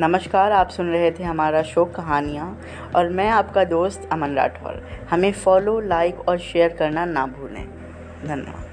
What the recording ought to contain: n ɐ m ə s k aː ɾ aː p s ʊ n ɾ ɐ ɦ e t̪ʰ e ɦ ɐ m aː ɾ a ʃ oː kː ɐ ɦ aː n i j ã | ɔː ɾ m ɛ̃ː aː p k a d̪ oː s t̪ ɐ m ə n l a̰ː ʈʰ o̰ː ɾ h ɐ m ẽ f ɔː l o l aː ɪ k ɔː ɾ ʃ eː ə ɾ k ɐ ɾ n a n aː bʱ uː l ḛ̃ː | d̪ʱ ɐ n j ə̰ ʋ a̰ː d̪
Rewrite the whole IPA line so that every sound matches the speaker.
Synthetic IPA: n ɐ m ə ʃ k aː ɾ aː p s ʊ n ɾ ɐ ɦ e t̪ʰ e ɦ ɐ m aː ɾ a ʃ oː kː ɐ ɦ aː n i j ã | ɔː ɾ m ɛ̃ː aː p k a d̪ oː s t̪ ɐ m ə n ɾ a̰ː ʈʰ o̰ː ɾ h ɐ m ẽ f ɔː l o l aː ɪ k ɔː ɾ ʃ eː ə ɾ k ɐ ɾ n a n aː bʱ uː l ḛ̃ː | d̪ʱ ɐ n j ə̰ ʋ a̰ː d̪